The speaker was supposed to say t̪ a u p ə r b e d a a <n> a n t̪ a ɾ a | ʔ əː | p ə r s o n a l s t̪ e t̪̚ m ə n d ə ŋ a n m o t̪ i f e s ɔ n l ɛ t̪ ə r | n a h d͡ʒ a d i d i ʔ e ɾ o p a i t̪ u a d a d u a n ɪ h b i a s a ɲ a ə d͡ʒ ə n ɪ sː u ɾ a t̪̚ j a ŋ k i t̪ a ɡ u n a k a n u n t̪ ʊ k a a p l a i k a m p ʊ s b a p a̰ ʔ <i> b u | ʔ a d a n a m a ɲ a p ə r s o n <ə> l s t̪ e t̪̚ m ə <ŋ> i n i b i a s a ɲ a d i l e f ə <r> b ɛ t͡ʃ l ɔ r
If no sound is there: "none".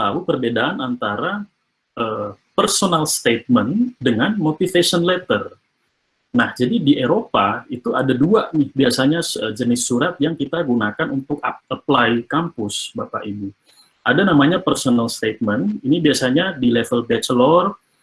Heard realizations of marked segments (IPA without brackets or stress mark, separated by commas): n, i, a, n, l